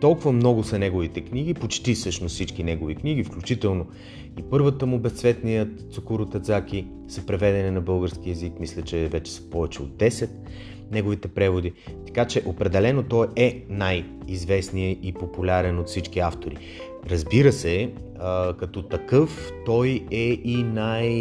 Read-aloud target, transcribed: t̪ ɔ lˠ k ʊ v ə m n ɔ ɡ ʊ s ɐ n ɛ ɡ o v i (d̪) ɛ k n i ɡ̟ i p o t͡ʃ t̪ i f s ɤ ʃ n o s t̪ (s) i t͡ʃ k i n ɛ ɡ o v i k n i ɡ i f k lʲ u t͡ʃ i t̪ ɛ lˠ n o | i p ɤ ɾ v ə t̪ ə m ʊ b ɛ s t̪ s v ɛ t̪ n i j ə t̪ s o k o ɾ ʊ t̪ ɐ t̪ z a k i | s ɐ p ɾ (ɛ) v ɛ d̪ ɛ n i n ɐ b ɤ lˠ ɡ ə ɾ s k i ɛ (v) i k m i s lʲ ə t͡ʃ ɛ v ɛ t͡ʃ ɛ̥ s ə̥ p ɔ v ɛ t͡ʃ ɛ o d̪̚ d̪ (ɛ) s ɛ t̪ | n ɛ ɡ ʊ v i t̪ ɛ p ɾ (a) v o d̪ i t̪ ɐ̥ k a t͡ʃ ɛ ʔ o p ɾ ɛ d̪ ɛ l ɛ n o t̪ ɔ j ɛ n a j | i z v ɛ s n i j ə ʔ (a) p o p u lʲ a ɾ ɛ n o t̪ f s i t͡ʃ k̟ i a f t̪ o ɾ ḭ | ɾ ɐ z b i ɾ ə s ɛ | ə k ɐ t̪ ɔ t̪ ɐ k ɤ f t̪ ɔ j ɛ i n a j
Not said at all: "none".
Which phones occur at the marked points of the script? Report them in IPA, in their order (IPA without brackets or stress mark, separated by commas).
t̪, s, ɛ, z, ɛ, ɛ, i